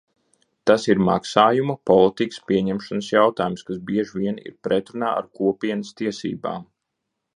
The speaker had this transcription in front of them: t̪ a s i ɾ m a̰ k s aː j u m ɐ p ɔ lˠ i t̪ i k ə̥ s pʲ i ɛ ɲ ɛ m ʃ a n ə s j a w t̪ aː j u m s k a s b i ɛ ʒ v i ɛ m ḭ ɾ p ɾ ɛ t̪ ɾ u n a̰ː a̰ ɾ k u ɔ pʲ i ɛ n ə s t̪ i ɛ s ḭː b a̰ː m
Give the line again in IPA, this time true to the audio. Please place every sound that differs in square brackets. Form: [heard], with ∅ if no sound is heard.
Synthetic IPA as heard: t̪ a s i ɾ m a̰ k s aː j u m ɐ p ɔ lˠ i t̪ i k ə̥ s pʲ i ɛ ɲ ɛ m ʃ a n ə s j a w t̪ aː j u m s k a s b i ɛ ʒ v i ɛ [n] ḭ ɾ p ɾ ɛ t̪ ɾ u n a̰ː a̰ ɾ k u ɔ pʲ i ɛ n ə s t̪ i ɛ s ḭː b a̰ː m